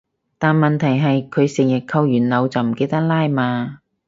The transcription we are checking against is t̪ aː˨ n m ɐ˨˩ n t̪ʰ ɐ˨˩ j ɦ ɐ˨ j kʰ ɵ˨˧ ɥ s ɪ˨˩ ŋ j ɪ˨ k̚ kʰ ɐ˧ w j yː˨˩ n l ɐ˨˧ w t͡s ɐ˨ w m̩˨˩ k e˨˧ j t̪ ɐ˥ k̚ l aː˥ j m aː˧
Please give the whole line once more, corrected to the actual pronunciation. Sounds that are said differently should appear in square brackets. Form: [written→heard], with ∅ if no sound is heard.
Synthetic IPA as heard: t̪ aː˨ n m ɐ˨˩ n t̪ʰ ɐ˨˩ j ɦ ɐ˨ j kʰ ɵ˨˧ ɥ s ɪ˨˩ ŋ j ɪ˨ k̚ kʰ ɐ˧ w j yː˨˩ n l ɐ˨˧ w t͡s ɐ˨ w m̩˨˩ k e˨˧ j t̪ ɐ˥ k̚ l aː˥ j m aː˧